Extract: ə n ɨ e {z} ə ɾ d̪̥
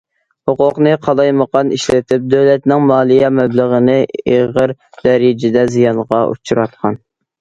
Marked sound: incorrect: ʁ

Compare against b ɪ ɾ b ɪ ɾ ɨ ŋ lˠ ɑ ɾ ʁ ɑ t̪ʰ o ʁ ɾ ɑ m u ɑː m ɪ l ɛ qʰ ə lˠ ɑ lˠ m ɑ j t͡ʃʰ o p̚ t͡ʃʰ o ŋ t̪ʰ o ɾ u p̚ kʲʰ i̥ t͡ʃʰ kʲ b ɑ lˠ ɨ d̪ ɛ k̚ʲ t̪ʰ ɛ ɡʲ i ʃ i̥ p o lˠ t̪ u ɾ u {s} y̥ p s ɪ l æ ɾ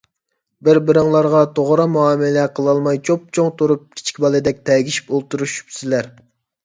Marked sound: incorrect: ʃ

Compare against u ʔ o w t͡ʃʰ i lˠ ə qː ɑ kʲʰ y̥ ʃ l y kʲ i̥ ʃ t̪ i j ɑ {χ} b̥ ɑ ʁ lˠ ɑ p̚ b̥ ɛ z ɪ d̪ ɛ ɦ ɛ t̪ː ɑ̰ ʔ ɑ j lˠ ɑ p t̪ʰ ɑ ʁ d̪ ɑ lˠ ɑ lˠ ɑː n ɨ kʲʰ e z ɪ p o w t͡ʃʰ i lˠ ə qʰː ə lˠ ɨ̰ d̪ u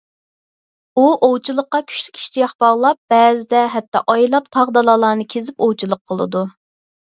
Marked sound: correct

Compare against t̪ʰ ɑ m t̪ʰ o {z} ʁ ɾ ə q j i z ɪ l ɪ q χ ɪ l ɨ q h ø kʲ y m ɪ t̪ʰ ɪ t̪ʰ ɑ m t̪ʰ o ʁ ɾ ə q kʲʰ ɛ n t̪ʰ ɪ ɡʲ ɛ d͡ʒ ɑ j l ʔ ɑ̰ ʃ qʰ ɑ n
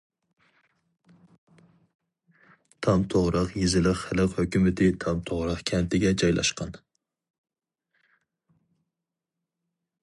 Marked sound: incorrect: none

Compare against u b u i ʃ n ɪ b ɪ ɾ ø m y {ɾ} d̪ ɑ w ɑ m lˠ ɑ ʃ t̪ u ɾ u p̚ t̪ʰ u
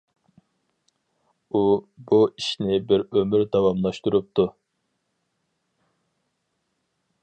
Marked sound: correct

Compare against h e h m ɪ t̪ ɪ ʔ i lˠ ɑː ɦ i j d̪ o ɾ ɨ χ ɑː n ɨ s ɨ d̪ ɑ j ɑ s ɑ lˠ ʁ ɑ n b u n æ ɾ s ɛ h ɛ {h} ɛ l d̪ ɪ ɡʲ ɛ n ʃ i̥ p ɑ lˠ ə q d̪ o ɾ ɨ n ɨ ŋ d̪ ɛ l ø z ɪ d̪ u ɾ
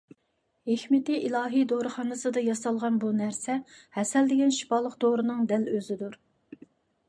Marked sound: incorrect: s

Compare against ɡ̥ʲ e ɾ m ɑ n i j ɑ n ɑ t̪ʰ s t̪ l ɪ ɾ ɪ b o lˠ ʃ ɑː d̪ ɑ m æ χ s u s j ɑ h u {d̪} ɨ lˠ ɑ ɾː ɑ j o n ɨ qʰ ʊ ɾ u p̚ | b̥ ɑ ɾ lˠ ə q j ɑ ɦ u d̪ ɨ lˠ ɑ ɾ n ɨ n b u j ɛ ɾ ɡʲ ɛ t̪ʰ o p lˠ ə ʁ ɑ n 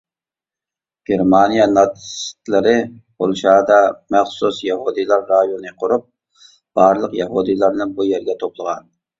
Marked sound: correct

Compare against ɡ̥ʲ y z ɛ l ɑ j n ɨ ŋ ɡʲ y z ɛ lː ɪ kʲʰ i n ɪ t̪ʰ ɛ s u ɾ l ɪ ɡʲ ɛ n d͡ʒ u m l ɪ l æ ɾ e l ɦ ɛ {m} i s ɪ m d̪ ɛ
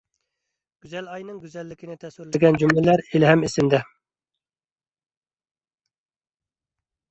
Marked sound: correct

